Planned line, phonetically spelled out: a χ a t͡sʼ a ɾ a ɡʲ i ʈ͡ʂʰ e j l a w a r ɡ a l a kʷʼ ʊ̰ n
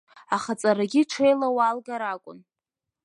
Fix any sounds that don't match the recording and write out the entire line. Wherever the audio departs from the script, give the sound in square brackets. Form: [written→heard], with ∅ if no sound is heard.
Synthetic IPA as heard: a χ a t͡sʼ a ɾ a ɡʲ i ʈ͡ʂʰ e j l a w a [r→l] ɡ a [l→ɾ] a kʷʼ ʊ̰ n